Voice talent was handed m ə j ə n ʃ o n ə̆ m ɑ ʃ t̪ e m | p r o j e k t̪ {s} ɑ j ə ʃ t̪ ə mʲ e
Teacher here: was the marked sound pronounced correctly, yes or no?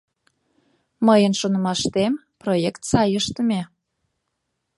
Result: yes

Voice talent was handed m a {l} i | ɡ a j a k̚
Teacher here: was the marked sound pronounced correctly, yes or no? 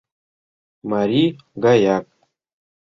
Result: no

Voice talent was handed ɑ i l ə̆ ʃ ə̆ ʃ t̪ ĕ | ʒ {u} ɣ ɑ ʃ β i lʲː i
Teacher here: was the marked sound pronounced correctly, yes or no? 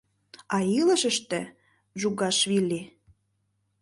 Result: yes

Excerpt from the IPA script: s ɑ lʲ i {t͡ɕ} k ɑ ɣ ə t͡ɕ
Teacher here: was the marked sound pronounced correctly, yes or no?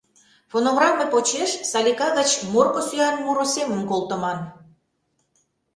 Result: no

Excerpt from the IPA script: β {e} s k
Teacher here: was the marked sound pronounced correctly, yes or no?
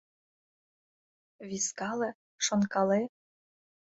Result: no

